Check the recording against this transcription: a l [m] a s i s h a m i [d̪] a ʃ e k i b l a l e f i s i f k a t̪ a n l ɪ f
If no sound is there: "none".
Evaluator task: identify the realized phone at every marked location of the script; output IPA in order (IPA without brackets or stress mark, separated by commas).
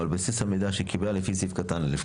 b, d̪